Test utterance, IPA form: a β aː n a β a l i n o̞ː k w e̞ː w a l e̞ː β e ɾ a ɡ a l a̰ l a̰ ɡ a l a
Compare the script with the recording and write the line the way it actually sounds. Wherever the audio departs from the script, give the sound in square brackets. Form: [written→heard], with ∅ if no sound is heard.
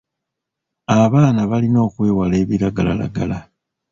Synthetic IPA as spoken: a β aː n a β a l i n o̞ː k w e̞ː w a l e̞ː β [e→i] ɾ a ɡ a l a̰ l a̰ ɡ a l a

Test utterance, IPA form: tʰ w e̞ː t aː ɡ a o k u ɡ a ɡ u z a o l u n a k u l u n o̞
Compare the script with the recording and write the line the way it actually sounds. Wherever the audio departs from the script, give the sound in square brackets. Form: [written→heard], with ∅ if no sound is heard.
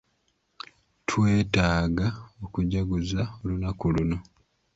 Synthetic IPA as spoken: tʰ w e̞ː t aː ɡ a o k u [ɡ→ɟ] a ɡ u z a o l u n a k u l u n o̞

